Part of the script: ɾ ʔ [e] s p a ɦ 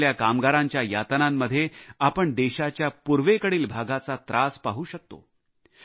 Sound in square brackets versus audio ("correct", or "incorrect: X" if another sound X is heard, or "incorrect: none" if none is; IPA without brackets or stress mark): incorrect: a